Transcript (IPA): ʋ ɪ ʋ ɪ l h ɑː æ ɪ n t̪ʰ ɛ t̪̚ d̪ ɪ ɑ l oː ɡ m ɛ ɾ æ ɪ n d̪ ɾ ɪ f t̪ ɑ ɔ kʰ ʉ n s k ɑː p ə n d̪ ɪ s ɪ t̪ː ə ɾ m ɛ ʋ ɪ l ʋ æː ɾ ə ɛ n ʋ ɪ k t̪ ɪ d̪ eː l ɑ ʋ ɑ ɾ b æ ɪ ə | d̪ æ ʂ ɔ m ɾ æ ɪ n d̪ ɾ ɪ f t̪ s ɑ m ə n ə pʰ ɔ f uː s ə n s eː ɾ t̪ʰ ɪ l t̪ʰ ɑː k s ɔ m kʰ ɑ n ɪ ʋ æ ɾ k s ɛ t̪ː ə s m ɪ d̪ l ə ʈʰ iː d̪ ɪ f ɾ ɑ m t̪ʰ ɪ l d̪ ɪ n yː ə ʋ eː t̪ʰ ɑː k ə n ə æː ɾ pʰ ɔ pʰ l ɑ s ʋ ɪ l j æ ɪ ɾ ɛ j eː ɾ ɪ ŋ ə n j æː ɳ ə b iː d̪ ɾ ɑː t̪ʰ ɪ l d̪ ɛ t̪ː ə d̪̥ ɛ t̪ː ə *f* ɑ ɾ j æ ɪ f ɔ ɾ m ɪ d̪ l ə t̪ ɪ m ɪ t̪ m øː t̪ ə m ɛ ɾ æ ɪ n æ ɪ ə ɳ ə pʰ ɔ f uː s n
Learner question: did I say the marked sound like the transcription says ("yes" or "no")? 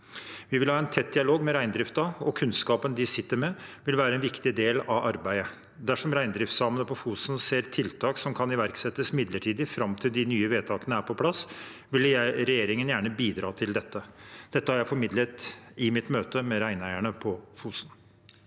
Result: no